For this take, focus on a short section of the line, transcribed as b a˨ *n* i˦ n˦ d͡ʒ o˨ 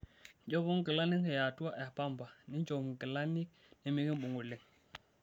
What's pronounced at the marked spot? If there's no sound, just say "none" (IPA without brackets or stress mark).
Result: n